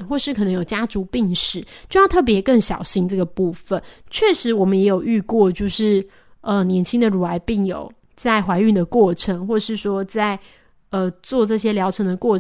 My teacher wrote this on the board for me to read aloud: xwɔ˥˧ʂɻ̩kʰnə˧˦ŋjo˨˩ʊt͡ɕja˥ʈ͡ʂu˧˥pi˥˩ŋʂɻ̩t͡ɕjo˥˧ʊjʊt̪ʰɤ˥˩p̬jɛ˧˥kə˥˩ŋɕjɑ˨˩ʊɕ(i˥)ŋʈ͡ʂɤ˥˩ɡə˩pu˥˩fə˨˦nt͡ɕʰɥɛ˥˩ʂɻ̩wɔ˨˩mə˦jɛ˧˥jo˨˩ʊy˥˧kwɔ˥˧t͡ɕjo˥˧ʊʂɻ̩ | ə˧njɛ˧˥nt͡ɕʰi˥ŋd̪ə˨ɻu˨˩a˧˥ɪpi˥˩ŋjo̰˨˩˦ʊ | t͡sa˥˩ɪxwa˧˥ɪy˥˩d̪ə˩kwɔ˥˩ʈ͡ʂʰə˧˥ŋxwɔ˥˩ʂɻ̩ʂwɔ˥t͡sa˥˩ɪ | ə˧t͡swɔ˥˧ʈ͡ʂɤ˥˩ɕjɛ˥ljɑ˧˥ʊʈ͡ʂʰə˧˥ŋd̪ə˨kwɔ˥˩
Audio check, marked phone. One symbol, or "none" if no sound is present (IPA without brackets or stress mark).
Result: i˥